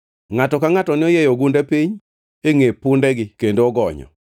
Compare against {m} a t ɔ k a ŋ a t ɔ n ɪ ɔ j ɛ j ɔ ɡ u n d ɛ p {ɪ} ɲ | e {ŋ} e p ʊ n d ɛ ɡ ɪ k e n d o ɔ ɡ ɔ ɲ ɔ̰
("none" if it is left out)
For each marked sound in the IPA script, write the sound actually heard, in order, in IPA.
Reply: ŋ, i, ŋ

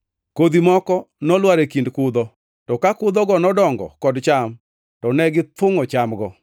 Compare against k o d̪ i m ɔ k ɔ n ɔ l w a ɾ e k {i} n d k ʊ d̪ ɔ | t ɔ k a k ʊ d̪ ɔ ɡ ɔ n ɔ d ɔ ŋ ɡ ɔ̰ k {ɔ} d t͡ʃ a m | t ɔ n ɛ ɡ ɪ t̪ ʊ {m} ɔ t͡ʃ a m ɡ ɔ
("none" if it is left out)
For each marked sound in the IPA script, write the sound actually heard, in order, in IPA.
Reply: i, ɔ, ŋ

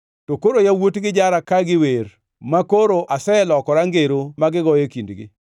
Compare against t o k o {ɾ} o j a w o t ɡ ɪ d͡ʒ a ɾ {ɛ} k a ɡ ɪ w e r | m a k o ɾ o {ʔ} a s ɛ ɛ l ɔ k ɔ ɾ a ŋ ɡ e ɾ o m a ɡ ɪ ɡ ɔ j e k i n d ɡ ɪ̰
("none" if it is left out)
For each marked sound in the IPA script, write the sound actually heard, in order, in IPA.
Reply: ɾ, a, ʔ

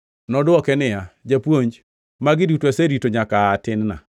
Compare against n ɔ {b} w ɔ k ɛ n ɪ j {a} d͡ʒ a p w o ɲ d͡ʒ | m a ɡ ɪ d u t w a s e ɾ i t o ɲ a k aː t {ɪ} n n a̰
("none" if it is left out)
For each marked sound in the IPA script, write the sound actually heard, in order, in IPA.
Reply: d, a, ɪ

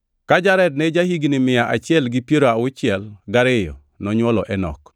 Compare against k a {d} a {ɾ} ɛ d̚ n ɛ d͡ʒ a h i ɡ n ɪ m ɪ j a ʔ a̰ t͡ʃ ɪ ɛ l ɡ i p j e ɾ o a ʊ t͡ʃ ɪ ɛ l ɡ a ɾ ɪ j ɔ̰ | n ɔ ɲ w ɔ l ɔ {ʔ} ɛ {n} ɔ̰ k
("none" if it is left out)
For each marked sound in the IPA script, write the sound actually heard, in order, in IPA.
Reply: d͡ʒ, ɾ, ʔ, n

